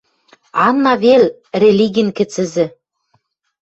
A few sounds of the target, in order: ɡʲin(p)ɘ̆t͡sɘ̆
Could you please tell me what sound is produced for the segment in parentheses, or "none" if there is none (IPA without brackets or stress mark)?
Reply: k